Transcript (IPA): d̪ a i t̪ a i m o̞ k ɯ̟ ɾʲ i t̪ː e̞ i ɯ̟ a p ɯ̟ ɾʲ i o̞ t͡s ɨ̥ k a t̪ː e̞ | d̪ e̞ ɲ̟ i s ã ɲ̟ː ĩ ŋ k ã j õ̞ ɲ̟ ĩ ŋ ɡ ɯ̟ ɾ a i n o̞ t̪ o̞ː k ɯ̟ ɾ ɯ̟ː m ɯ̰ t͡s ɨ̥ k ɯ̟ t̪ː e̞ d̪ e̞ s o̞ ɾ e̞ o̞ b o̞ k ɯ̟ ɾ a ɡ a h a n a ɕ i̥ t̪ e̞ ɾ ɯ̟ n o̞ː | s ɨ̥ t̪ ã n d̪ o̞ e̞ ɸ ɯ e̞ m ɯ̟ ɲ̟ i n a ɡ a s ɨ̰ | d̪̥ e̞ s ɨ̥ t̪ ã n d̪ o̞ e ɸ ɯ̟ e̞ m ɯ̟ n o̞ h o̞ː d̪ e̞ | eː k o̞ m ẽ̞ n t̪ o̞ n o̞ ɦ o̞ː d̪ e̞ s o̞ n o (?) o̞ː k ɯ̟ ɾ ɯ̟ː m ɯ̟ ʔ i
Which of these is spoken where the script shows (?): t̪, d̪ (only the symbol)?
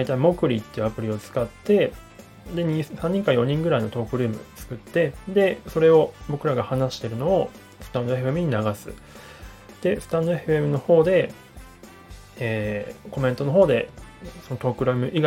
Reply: t̪